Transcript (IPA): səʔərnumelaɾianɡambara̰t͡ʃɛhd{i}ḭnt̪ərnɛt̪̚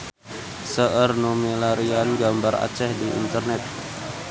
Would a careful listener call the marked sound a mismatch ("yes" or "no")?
no